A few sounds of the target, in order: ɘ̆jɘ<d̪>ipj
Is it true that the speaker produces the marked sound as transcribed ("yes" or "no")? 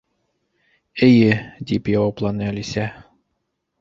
yes